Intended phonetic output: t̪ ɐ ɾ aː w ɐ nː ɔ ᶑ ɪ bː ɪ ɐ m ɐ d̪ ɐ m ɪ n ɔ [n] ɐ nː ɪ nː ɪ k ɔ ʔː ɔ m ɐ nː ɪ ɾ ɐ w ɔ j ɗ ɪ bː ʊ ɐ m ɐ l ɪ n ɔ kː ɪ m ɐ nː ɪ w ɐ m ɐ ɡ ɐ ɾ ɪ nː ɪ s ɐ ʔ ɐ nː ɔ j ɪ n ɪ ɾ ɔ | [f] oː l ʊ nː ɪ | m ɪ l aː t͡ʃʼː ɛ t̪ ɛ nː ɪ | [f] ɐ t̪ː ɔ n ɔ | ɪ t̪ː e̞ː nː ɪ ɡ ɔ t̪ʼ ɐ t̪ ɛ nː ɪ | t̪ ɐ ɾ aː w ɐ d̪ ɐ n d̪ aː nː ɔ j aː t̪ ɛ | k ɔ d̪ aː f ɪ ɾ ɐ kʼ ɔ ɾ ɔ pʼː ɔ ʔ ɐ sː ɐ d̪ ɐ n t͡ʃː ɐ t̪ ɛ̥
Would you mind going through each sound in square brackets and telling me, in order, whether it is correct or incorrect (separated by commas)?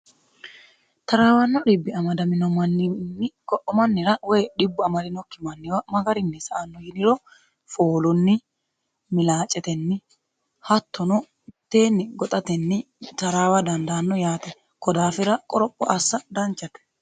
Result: incorrect, correct, incorrect